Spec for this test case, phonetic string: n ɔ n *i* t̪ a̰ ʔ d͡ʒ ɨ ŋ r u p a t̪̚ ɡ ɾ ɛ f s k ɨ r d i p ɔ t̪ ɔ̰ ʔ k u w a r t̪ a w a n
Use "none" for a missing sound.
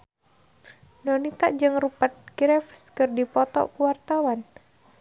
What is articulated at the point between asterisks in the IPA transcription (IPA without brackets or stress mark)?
i